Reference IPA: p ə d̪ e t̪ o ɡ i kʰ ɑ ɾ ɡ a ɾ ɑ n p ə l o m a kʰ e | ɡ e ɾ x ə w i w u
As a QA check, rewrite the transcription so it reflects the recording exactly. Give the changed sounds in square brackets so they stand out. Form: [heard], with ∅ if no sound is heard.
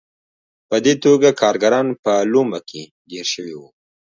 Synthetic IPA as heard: p ə d̪ e t̪ o ɡ [a] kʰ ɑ ɾ ɡ a ɾ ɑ n p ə l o m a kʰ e | ɡ e ɾ [ʃ] ə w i w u